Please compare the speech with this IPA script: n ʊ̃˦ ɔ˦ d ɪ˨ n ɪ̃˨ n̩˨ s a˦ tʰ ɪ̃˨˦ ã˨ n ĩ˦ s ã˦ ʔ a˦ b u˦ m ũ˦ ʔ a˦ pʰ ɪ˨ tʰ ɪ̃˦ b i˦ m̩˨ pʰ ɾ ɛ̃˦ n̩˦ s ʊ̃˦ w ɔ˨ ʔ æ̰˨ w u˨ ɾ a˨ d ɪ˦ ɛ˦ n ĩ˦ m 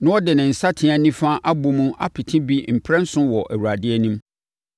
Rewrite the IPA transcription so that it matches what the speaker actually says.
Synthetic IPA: n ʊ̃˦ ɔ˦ d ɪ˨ n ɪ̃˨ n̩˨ s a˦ tʰ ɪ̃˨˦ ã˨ n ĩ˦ f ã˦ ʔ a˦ b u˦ m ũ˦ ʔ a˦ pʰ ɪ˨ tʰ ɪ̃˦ b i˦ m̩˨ pʰ ɾ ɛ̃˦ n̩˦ s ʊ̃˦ w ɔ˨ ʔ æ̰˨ w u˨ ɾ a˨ d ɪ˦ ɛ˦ n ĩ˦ m